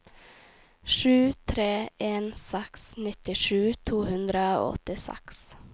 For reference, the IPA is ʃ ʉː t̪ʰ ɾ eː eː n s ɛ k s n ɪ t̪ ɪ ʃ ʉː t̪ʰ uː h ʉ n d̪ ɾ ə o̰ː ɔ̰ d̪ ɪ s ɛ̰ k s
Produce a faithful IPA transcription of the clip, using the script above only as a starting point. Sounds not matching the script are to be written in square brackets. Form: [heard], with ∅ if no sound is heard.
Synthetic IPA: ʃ ʉː t̪ʰ ɾ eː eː n s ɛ k s n ɪ t̪ ɪ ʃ ʉː t̪ʰ uː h ʉ n d̪ ɾ ə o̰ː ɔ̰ [t̪] ɪ s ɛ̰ k s